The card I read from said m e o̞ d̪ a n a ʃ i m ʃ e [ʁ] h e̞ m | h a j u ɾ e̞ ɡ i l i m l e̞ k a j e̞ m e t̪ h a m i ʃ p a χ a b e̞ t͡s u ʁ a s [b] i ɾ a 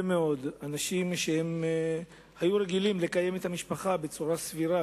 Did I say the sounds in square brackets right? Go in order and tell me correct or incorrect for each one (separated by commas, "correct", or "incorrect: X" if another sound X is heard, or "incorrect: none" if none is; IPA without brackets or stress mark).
incorrect: none, incorrect: v